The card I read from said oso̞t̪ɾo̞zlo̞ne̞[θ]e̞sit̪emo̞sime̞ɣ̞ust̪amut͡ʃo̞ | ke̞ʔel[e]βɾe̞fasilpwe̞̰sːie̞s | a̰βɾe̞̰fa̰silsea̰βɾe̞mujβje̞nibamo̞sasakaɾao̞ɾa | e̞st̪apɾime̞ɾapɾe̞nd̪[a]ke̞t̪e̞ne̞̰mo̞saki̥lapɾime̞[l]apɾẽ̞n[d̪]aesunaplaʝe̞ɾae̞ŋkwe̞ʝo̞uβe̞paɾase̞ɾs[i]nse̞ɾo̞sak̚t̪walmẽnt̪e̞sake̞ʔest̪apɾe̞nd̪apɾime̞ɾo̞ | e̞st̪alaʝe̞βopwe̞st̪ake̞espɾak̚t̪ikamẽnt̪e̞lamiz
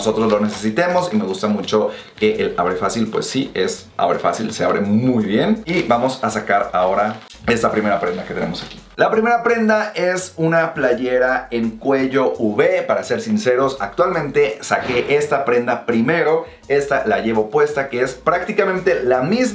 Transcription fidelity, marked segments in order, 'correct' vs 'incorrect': incorrect: s, incorrect: a, correct, incorrect: ɾ, correct, correct

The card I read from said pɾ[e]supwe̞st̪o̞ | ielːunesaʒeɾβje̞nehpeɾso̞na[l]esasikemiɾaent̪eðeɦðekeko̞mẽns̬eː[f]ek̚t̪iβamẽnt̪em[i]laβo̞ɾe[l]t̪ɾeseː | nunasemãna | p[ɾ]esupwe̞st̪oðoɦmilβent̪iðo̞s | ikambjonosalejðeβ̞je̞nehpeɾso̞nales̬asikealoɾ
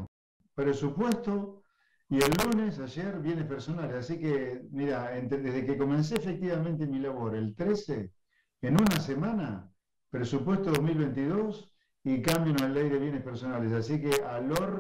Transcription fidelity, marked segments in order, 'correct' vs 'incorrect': correct, correct, correct, correct, correct, correct

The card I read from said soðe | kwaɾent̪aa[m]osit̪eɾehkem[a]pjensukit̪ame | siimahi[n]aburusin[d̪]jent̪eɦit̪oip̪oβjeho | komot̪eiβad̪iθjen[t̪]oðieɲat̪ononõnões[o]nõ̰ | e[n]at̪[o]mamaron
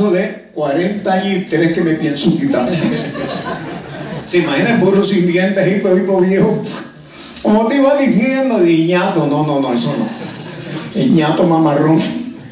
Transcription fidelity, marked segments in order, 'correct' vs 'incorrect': incorrect: ɲ, incorrect: e, correct, correct, incorrect: d̪, correct, incorrect: ɲ, correct

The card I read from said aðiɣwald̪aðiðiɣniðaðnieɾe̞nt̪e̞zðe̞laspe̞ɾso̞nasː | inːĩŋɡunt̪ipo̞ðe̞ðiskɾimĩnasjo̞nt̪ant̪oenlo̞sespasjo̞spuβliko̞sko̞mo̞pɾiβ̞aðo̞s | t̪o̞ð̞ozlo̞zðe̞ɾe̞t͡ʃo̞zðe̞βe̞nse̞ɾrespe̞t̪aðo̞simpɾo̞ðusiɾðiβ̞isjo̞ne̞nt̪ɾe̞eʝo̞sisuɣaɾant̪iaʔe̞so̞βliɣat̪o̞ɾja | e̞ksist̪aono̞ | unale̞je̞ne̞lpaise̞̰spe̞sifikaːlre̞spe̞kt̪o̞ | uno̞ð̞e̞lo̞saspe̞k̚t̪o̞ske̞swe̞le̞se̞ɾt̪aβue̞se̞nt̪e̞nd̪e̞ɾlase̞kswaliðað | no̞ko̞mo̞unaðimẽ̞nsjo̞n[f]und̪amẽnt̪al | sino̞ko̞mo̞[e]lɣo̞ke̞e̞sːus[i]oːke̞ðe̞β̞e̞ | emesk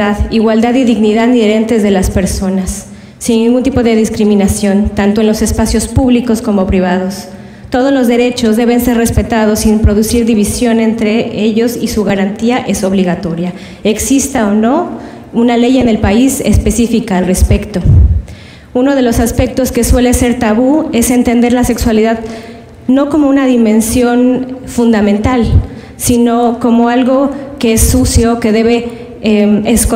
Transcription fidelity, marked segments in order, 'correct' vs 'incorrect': correct, incorrect: a, incorrect: j

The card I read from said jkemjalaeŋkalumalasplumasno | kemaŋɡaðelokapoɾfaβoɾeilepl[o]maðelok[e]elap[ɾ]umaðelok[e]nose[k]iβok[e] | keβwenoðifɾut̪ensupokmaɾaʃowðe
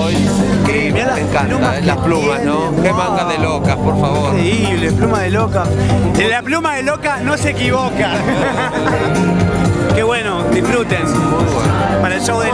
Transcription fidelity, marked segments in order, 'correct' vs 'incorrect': incorrect: u, incorrect: a, incorrect: l, incorrect: a, correct, incorrect: a

